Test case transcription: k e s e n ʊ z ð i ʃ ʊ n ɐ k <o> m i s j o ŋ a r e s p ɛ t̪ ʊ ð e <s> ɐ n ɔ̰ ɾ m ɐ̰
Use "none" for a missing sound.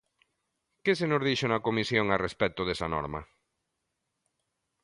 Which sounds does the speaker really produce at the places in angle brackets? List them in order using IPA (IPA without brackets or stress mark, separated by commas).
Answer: o, s